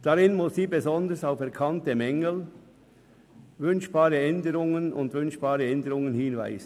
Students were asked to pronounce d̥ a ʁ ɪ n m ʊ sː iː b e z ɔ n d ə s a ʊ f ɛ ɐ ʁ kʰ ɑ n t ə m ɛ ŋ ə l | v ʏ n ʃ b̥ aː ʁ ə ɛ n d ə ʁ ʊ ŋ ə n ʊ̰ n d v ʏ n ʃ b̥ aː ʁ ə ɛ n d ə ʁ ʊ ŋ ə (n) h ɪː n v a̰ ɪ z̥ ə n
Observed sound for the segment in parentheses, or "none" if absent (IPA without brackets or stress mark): n